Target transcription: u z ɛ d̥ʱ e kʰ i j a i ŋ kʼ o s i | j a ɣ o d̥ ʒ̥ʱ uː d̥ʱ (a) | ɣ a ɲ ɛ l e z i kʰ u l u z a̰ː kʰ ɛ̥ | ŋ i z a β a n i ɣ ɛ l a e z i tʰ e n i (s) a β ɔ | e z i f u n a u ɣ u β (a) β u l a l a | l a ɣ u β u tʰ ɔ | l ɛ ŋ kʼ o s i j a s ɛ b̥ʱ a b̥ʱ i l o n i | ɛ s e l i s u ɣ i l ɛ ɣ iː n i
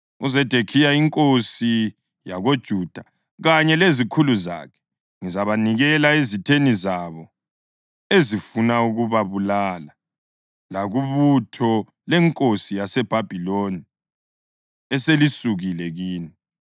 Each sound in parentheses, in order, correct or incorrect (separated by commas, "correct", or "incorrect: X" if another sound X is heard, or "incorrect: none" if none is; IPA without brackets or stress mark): correct, incorrect: z, correct